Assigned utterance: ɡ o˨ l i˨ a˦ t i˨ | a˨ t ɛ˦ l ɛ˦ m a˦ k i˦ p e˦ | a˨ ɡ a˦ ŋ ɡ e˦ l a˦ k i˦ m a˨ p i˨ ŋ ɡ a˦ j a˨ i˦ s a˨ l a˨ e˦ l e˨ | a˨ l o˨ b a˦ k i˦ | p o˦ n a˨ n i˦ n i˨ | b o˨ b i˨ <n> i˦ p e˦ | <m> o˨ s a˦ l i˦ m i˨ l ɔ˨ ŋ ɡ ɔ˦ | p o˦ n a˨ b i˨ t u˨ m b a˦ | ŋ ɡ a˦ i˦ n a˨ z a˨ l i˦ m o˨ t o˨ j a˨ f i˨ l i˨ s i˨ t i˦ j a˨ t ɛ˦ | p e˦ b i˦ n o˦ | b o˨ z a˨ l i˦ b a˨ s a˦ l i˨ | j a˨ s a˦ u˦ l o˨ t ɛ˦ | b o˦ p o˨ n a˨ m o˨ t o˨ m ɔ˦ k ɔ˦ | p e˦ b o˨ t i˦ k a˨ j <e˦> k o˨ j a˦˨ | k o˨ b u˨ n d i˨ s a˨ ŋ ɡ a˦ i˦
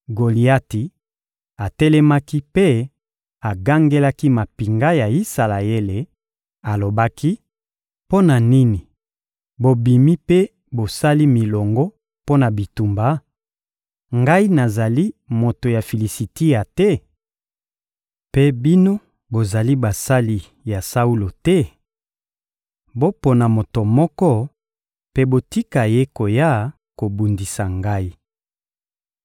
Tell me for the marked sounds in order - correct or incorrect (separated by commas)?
incorrect, incorrect, correct